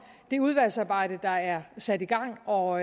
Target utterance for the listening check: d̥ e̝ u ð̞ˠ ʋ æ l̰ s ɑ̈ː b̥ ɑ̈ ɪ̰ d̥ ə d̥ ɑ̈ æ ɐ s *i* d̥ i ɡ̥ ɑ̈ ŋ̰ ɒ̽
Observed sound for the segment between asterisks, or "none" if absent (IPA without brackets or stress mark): æ